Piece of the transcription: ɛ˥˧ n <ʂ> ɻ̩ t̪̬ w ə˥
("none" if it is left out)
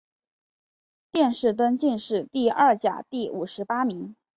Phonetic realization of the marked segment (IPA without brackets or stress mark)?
ʂ